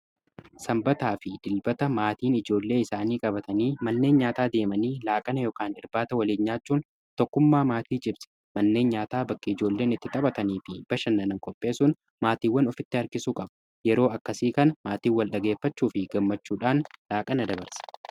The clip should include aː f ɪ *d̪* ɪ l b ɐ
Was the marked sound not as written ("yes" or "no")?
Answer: no